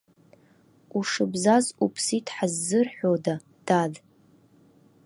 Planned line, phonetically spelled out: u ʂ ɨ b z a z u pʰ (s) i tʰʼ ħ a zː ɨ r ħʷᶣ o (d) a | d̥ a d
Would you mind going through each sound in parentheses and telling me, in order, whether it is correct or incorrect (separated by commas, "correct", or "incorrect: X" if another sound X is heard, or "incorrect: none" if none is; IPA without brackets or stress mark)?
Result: correct, correct